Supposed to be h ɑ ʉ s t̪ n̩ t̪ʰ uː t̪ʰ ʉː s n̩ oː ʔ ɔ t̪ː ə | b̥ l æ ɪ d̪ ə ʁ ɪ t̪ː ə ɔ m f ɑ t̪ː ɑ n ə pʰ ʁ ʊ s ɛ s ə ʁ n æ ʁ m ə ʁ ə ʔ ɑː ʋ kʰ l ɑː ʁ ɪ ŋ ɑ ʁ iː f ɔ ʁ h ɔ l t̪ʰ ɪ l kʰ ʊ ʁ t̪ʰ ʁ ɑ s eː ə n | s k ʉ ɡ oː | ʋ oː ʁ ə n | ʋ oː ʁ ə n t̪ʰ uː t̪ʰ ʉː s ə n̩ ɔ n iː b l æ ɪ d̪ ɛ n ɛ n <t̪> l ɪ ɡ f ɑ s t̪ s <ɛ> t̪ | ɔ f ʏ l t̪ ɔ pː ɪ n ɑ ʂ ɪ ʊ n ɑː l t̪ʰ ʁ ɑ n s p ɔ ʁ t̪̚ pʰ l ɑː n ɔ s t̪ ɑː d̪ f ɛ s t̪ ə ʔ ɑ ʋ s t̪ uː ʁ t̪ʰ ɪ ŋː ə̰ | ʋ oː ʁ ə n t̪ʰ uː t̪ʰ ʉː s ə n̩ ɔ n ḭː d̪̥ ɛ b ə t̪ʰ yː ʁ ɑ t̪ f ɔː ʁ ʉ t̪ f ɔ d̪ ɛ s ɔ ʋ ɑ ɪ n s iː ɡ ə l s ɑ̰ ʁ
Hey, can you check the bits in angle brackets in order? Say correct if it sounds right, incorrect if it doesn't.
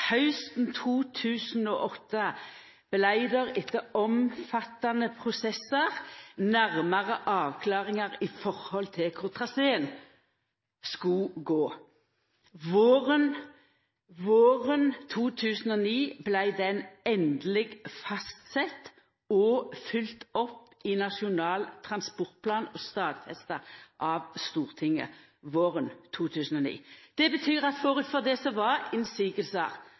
incorrect: d̪, correct

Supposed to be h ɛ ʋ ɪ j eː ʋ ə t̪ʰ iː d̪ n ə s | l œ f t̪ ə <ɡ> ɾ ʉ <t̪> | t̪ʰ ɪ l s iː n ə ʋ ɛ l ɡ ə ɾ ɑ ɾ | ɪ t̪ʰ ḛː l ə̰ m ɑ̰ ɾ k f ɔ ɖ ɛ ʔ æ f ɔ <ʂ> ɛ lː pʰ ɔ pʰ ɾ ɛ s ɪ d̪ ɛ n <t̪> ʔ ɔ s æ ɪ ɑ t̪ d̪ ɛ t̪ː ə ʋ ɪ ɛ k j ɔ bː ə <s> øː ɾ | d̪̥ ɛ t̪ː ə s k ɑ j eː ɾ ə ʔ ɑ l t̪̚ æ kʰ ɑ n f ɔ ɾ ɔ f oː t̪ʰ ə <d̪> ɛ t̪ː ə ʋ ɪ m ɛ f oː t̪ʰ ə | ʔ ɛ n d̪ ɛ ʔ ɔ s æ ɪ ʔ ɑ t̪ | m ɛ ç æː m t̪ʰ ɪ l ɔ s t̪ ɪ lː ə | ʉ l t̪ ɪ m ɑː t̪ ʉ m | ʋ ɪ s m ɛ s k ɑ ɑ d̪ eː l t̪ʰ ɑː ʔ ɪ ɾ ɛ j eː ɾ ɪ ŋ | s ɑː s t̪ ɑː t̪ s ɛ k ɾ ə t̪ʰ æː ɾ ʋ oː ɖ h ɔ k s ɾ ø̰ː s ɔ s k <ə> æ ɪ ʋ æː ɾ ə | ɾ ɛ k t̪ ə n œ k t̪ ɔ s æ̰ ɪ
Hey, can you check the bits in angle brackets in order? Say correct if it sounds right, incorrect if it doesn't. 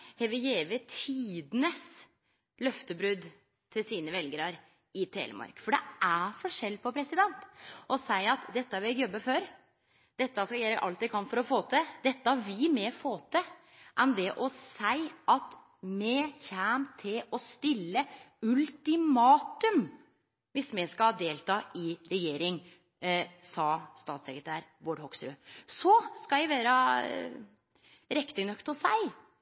incorrect: b, incorrect: d̪, correct, correct, incorrect: f, correct, incorrect: ɑ

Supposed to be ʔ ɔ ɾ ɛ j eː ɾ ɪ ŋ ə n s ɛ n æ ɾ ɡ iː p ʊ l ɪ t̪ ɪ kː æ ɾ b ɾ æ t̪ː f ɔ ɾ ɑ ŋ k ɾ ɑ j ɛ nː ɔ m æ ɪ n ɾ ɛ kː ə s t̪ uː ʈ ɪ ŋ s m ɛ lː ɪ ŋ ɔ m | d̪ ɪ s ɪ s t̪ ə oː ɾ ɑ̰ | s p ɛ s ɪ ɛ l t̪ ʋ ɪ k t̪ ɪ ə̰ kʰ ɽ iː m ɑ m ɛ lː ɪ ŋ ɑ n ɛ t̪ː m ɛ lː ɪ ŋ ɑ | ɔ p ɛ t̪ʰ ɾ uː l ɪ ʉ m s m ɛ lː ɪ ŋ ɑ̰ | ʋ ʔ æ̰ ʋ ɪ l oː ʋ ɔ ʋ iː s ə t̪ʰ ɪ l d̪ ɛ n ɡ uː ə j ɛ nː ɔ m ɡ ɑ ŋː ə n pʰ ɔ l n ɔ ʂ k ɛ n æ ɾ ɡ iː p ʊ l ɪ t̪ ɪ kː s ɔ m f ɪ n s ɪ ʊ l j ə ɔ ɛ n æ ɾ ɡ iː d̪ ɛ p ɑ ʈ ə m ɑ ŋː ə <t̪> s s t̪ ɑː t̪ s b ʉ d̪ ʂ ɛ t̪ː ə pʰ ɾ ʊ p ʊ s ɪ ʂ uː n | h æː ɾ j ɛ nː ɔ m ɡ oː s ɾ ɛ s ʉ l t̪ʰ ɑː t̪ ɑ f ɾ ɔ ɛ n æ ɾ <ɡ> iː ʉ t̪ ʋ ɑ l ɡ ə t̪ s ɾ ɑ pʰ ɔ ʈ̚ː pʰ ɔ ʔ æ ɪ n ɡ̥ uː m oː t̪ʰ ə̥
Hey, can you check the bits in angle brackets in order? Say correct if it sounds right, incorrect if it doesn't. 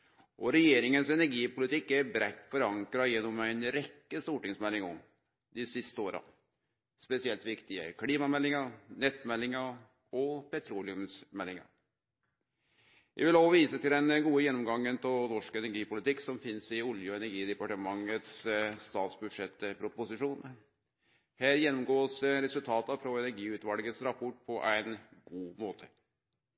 correct, correct

